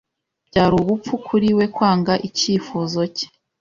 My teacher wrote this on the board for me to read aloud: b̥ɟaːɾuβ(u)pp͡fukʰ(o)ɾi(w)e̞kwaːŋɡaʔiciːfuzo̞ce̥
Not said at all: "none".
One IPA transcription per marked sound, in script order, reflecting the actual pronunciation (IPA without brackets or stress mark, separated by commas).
u, u, w